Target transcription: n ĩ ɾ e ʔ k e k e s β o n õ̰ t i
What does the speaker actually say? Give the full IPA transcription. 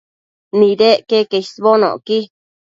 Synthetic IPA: n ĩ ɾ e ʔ k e k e s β o n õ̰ k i